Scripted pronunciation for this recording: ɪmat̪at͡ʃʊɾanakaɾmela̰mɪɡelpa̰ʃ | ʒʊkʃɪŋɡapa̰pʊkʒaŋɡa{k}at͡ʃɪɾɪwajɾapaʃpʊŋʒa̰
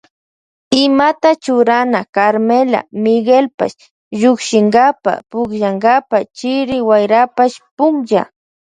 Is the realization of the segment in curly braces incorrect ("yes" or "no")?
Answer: yes